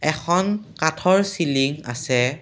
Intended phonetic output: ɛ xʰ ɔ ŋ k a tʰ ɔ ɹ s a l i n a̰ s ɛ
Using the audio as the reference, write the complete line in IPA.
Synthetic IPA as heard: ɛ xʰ ɔ n k a tʰ ɔ ɹ s i l i ŋ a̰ s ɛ